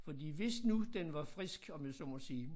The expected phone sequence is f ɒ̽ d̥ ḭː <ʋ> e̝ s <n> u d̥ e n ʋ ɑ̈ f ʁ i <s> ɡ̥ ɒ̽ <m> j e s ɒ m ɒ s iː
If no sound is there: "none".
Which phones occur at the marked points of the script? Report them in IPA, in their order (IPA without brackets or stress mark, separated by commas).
ʋ, n, s, m